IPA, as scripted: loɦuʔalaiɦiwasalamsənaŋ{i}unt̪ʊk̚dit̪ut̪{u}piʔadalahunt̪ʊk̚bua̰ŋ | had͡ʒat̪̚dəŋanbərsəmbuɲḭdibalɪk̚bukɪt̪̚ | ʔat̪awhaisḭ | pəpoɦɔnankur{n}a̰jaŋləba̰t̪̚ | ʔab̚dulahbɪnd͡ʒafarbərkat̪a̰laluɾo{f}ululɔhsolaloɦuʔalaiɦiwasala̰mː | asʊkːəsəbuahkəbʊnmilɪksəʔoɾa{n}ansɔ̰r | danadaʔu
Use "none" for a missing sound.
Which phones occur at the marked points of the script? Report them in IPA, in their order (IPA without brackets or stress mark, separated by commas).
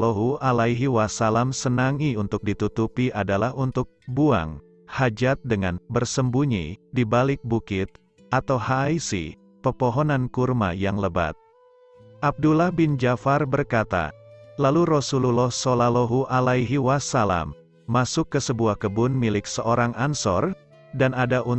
i, u, m, s, ŋ